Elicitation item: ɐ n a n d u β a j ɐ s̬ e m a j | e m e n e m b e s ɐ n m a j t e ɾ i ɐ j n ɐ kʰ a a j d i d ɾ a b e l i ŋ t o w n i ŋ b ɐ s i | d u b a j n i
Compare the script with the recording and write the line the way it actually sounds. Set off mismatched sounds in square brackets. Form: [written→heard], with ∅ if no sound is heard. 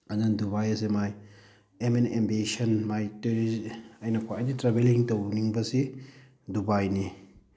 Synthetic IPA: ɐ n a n d u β a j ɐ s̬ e m a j | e m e n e m b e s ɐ n m a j t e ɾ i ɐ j n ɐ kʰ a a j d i [d→t] ɾ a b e l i ŋ t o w n i ŋ b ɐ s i | d u b a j n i